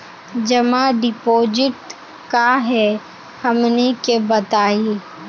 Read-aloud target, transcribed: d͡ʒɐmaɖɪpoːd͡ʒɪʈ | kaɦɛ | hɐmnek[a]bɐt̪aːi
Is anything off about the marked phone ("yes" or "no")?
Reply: yes